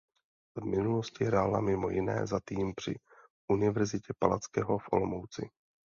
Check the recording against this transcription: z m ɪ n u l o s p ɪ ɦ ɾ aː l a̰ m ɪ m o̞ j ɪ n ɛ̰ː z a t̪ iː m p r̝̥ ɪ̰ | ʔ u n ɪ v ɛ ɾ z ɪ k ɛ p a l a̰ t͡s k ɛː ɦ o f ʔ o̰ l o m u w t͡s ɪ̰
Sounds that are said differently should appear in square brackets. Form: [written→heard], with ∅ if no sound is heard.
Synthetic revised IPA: [z→v] m ɪ n u l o s [p→c] ɪ ɦ ɾ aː l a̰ m ɪ m o̞ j ɪ n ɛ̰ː z a t̪ iː m p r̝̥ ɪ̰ | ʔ u n ɪ v ɛ ɾ z ɪ [k→c] ɛ p a l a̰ t͡s k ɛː ɦ o f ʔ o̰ l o m [u→o] w t͡s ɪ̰